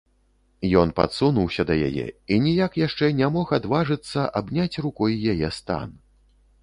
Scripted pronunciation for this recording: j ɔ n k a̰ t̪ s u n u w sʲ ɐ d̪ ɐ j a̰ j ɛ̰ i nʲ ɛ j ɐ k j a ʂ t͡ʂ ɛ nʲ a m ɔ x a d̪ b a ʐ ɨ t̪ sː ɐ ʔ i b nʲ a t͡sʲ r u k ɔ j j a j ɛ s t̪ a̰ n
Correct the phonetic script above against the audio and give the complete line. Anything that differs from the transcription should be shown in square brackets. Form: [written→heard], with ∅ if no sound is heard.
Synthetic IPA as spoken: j ɔ n [k→p] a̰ t̪ s u n u w sʲ ɐ d̪ ɐ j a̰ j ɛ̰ i nʲ [ɛ→i] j [ɐ→a] k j a ʂ t͡ʂ ɛ nʲ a m ɔ x a d̪ [b→v] a ʐ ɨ t̪ sː ɐ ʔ [i→a] b nʲ a t͡sʲ r u k ɔ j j a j ɛ s t̪ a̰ n